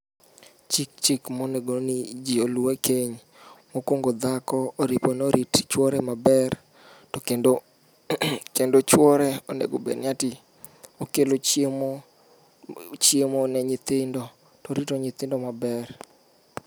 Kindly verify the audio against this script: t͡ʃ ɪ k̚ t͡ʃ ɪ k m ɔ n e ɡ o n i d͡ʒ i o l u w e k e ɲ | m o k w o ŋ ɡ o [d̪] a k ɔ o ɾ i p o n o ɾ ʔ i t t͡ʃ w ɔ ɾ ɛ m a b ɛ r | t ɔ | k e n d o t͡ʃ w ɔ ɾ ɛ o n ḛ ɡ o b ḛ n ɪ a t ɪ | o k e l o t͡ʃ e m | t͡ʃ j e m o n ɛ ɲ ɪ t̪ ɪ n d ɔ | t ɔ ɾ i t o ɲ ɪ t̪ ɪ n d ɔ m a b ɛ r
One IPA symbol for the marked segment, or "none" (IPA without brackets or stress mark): d̪